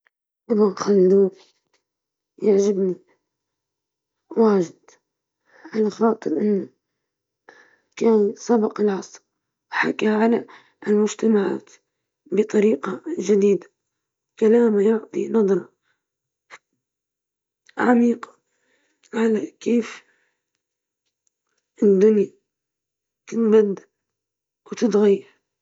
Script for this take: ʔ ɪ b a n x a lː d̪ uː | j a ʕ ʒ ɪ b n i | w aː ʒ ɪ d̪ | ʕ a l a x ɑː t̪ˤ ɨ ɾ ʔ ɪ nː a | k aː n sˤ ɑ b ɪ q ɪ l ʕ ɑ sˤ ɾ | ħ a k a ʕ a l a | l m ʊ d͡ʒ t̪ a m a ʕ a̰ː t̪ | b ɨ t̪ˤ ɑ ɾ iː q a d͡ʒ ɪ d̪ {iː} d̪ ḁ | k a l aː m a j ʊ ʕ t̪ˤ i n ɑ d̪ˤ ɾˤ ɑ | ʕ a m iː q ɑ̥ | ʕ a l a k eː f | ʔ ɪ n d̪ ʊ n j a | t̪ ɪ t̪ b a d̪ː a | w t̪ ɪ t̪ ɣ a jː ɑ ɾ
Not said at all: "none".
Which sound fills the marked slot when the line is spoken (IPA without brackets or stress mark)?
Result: iː